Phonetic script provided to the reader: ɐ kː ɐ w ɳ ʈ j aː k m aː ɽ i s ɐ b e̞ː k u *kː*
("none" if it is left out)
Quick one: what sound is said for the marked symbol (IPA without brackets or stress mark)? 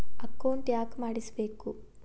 none